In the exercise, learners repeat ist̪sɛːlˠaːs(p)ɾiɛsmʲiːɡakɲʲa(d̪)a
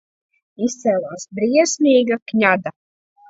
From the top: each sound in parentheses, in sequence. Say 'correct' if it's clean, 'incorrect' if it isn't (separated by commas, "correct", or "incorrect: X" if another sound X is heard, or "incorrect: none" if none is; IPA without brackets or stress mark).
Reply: incorrect: b, correct